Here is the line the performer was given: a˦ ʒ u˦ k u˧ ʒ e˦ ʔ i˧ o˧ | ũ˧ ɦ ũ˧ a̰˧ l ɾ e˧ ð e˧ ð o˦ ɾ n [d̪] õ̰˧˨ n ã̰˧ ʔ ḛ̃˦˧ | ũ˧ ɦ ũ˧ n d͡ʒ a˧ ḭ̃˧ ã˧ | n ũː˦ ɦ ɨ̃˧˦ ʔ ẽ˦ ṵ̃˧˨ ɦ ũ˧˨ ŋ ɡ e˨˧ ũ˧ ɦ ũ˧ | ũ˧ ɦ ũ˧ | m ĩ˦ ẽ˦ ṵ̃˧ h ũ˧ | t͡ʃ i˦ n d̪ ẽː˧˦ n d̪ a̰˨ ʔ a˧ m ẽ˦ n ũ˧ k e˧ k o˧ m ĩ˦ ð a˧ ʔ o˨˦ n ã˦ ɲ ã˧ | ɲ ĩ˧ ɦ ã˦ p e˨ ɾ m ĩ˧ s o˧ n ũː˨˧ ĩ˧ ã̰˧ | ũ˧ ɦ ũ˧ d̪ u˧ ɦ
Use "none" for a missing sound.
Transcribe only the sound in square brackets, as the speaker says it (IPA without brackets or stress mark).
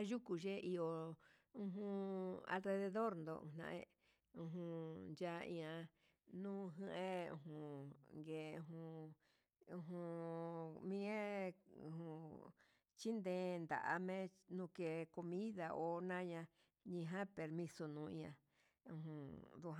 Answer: d̪